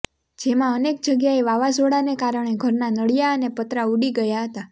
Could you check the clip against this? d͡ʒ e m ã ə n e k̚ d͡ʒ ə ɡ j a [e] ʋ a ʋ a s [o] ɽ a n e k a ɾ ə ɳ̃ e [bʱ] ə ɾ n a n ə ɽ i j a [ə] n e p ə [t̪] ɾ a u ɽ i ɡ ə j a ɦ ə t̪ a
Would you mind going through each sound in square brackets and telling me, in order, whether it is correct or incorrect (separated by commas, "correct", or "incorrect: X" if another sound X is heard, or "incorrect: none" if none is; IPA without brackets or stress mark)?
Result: correct, correct, incorrect: ɡʱ, correct, correct